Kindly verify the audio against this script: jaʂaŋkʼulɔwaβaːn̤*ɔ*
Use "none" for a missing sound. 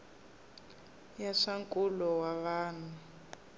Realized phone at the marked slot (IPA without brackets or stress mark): u